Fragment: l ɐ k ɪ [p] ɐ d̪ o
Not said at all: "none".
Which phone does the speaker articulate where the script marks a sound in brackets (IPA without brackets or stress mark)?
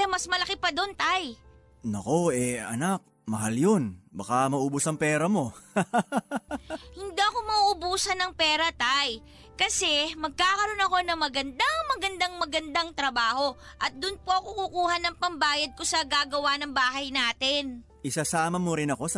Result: p